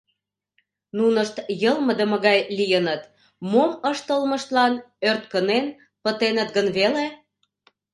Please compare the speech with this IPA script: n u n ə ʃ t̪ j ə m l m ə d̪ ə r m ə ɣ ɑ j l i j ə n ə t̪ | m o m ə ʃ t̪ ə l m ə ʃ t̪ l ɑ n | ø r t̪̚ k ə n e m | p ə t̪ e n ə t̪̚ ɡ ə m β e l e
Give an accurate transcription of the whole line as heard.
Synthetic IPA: n u n ə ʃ t̪ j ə l m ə d̪ ə m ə ɣ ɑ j l i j ə n ə t̪ | m o m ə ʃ t̪ ə l m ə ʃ t̪ l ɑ n | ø r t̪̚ k ə n e n | p ə t̪ e n ə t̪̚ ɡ ə n β e l e